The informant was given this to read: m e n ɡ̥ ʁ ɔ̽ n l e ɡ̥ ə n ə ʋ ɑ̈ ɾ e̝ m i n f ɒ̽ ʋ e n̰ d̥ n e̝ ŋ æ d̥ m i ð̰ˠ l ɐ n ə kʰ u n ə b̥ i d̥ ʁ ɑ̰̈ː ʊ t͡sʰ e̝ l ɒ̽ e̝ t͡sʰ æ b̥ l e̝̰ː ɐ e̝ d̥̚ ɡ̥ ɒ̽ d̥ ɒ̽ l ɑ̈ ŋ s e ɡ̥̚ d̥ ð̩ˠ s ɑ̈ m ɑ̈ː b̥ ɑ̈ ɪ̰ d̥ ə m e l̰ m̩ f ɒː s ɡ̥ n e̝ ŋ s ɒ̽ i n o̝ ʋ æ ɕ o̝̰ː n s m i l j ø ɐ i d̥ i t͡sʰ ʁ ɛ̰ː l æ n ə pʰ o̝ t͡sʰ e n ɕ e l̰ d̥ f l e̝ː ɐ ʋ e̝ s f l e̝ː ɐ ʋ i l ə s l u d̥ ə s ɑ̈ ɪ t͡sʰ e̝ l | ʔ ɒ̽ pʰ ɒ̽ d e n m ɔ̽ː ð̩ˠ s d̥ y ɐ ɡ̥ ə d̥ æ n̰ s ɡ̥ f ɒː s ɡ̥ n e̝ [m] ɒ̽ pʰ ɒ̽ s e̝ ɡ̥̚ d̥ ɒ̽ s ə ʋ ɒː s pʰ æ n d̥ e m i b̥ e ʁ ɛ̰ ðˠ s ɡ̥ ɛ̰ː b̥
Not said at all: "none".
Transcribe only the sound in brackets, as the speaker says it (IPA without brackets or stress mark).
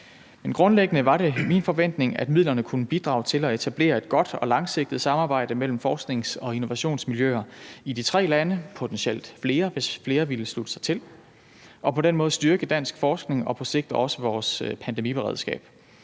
ŋ